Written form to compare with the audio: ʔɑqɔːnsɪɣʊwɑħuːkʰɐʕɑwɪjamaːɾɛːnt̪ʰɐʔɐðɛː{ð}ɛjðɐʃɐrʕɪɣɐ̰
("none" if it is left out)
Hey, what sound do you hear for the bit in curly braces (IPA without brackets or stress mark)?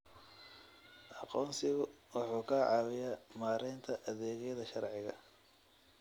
ɣ